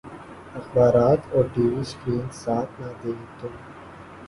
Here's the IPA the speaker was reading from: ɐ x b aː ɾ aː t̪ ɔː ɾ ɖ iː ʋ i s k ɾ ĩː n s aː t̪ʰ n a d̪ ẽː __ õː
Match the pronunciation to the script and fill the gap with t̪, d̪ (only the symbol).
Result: t̪